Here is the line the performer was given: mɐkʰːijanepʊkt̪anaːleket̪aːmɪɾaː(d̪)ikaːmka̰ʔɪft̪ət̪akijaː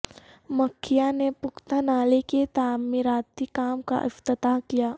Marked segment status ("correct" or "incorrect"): incorrect